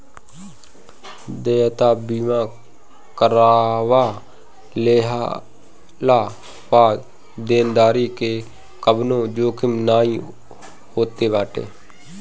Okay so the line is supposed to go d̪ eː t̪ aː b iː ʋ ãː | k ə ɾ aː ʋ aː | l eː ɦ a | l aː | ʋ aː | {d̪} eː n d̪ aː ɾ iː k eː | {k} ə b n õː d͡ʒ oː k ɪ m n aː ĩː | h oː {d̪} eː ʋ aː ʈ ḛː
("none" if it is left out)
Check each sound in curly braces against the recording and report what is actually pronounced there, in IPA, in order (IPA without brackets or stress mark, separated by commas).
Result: d̪, k, t̪